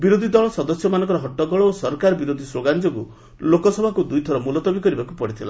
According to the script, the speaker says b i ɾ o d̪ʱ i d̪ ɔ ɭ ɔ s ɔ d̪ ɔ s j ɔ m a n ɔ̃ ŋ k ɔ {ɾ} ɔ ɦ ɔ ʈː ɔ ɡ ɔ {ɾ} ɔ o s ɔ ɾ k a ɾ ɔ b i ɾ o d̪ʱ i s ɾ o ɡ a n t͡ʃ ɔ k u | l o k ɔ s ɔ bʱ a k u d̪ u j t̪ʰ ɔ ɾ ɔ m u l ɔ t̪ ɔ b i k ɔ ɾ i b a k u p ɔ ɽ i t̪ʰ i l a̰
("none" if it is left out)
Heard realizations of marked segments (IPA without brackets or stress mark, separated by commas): ɾ, ɭ